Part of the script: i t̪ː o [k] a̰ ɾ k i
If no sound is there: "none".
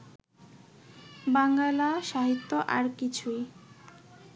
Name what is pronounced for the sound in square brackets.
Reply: ʔ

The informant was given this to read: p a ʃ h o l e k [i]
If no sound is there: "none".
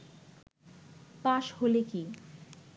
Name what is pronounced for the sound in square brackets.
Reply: i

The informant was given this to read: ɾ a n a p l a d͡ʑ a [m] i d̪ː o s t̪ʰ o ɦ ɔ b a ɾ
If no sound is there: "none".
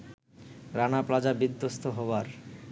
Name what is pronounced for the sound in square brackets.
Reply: b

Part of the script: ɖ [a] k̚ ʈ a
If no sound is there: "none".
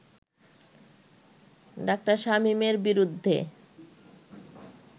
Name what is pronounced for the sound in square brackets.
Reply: a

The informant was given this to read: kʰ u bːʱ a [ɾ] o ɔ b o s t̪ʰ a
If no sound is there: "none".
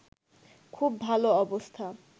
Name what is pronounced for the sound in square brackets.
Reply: l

